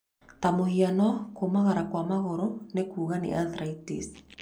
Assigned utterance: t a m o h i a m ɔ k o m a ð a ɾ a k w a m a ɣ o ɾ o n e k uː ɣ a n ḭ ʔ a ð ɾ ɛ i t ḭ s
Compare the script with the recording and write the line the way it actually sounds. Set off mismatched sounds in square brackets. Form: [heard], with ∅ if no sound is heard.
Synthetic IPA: t a m o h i a [n] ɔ k o m a [ɣ] a ɾ a k w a m a ɣ o ɾ o n e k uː ɣ a n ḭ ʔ a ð ɾ [a] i t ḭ s